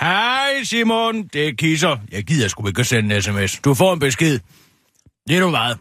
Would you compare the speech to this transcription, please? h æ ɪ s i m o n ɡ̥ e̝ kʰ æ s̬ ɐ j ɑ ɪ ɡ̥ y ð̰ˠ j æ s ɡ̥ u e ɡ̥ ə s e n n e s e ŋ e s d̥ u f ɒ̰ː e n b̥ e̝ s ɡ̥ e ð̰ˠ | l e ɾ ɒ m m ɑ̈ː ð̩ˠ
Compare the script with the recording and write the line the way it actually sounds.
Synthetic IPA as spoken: h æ ɪ s i m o n d̥ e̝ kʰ i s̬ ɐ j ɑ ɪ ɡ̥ i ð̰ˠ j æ s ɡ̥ u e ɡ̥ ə s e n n e s e m e s d̥ u f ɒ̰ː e n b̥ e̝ s ɡ̥ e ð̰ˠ | l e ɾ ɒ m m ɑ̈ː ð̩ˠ